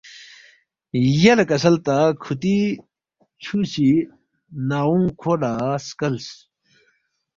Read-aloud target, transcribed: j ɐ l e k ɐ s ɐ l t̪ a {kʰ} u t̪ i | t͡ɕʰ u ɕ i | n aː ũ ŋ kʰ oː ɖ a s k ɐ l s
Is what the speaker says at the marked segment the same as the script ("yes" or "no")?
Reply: yes